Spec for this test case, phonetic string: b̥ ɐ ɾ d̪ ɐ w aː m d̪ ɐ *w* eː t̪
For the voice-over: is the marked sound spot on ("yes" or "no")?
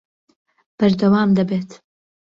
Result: no